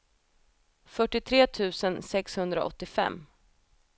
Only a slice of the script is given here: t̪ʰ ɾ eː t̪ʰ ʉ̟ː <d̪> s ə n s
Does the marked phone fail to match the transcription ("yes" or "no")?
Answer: yes